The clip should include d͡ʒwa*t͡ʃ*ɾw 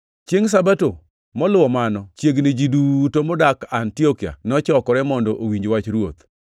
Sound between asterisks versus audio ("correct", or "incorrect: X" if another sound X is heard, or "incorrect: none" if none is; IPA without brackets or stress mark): correct